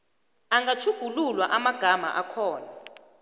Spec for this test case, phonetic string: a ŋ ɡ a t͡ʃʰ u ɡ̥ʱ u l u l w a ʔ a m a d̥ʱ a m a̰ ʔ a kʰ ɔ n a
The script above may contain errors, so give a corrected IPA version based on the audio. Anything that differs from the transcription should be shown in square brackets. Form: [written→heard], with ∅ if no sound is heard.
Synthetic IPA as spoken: a ŋ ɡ a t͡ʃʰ u ɡ̥ʱ u l u l w a ʔ a m a [d̥ʱ→ɡ̥ʱ] a m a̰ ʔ a kʰ [ɔ→ɔː] n a

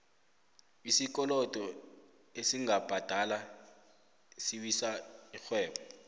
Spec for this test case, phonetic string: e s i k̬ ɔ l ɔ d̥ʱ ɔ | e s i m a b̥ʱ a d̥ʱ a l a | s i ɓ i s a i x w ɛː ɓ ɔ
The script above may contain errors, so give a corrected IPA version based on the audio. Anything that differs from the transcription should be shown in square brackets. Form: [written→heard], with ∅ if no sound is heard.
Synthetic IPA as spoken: [e→i] s i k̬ ɔ l ɔ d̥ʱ ɔ | e s i [m→ŋ] a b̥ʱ a d̥ʱ a l a | s i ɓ i s a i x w ɛː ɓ ɔ

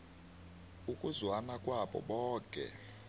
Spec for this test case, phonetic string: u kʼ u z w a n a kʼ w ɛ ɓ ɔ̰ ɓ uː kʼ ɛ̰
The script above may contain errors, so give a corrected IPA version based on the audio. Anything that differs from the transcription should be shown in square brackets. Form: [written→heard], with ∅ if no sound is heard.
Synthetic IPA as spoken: u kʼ u z w a n a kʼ w [ɛ→a] ɓ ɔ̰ ɓ [uː→ɔː] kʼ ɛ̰

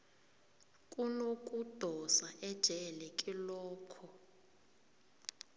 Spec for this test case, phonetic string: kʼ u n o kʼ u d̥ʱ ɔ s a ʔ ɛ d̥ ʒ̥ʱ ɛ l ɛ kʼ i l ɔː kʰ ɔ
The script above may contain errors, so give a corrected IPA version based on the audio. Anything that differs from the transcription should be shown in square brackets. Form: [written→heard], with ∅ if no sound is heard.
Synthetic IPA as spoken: kʼ u n o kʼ u d̥ʱ ɔ s a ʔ ɛ d̥ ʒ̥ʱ ɛ l ɛ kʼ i l ɔː kʰ ɔ

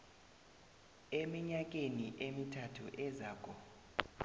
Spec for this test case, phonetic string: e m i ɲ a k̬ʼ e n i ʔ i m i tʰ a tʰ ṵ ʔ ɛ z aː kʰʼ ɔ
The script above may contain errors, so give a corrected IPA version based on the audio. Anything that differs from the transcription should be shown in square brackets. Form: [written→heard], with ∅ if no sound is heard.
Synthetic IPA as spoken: e m i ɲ a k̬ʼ e n i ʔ [i→e] m i tʰ a tʰ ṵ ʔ ɛ z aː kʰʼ ɔ

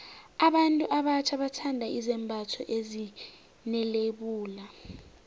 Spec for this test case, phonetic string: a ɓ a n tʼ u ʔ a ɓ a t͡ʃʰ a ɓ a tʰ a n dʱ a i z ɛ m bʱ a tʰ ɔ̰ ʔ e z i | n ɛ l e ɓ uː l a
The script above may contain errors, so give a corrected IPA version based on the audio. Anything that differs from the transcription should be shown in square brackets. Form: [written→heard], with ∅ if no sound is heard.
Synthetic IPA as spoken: a ɓ a n tʼ u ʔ a ɓ a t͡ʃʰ a ɓ a tʰ a n dʱ a i z ɛ m bʱ a tʰ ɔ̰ ʔ e z i | n ɛ l e ɓ uː l a

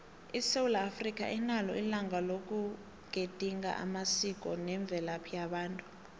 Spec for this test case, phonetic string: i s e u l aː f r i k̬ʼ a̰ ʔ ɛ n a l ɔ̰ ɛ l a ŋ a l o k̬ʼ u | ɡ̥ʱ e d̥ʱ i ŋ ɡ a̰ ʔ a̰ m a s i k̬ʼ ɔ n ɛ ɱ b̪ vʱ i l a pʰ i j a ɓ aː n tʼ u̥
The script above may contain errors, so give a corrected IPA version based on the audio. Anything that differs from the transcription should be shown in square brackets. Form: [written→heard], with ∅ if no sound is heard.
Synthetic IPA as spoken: i s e u l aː f r i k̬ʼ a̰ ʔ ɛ n a l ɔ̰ [ɛ→i] l a ŋ a l o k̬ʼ u | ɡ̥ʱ e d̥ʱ i ŋ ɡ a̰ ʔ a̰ m a s i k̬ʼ ɔ n ɛ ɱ b̪ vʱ [i→ɛ] l a pʰ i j a ɓ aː n tʼ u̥

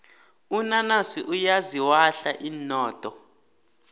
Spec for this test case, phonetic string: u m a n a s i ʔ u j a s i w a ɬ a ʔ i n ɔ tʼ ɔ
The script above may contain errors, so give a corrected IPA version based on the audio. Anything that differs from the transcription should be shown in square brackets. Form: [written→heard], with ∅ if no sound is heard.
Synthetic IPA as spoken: u [m→n] a n a s i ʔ u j a [s→z] i w a ɬ a ʔ i n [ɔ→ɔː] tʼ ɔ

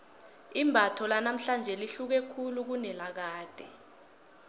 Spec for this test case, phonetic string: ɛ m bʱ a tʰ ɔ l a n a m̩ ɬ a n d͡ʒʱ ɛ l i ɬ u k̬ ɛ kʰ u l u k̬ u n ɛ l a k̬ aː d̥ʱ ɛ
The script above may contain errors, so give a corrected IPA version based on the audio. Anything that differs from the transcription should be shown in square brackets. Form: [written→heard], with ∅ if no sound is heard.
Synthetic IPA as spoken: [ɛ→i] m bʱ a tʰ ɔ l a n a m̩ ɬ a n d͡ʒʱ ɛ l i ɬ u k̬ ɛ kʰ u l u k̬ u n ɛ l a k̬ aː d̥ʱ ɛ

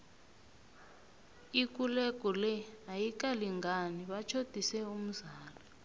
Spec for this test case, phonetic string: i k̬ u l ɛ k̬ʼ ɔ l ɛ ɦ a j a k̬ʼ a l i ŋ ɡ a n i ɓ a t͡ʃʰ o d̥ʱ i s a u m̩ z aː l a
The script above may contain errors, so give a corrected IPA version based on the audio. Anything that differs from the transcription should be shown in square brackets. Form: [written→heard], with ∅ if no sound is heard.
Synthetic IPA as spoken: i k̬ u l ɛ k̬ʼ ɔ l ɛ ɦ a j [a→i] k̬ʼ a l i ŋ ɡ a n i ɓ a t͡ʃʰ o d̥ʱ i s [a→ɛ] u m̩ z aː l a

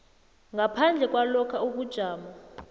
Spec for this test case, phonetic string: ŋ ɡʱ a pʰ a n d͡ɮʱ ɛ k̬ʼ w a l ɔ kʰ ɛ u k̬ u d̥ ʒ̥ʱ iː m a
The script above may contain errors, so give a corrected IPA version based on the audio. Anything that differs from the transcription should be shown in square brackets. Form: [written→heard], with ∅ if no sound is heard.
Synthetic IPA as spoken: ŋ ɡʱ a pʰ a n d͡ɮʱ ɛ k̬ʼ w a l ɔ kʰ [ɛ→a] u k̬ u d̥ ʒ̥ʱ [iː→aː] m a

